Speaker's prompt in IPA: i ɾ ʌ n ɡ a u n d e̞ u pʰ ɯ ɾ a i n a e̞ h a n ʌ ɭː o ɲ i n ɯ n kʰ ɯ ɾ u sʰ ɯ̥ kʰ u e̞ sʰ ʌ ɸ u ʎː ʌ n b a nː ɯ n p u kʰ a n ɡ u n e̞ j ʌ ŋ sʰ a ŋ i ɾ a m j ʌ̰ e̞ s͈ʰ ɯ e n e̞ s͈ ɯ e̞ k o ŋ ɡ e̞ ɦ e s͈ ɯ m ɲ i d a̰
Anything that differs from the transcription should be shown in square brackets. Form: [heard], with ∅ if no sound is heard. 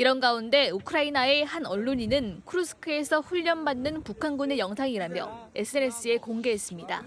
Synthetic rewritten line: i ɾ ʌ n ɡ a u n d e̞ u [kʰ] ɯ ɾ a i n a e̞ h a n ʌ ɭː o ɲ i n ɯ n kʰ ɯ ɾ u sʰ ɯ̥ kʰ [ɯ] e̞ sʰ ʌ ɸ u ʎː ʌ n b a nː ɯ n p u kʰ a n ɡ u n e̞ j ʌ ŋ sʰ a ŋ i ɾ a m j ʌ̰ e̞ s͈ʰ ɯ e n e̞ s͈ ɯ e̞ k o ŋ ɡ e̞ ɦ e s͈ ɯ m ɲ i d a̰